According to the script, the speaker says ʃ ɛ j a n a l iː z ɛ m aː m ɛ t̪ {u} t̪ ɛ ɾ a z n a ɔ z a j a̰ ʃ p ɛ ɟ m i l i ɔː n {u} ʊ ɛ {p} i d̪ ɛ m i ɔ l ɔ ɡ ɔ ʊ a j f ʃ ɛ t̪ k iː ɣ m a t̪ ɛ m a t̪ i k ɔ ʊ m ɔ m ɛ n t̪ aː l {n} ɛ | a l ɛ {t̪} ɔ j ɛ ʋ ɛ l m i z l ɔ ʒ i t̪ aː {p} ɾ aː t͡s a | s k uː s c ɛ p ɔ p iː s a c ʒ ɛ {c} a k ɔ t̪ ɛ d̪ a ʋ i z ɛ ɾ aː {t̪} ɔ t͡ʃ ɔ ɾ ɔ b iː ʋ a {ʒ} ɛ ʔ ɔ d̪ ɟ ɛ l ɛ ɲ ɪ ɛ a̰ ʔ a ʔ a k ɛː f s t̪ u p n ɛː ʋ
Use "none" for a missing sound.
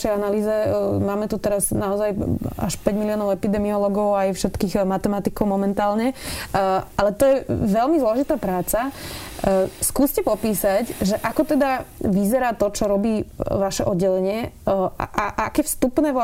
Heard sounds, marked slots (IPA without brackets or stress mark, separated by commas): u, ɔ, p, ɲ, t̪, p, ʔ, t̪, ʃ